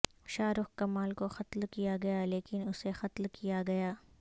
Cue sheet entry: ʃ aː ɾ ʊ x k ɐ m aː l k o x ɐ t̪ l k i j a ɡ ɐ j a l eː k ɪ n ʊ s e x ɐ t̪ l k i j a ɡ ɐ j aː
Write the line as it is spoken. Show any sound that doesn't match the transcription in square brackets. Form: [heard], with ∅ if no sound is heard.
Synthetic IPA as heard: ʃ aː ɾ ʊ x k ɐ m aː l k o x ɐ t̪ l k i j a ɡ ɐ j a l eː k ɪ n ʊ s e x ɐ t̪ l k i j a ɡ ɐ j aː